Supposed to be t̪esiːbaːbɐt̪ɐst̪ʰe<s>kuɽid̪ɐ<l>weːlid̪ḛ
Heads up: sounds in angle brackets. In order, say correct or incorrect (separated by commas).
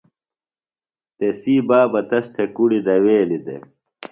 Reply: incorrect, incorrect